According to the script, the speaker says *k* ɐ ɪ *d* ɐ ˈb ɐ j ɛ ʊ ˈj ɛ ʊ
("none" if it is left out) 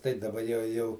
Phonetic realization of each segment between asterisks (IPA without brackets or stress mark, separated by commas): t, d